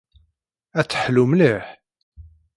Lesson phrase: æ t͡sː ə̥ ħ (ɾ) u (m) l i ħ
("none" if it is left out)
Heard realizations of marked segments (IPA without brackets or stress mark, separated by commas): l, m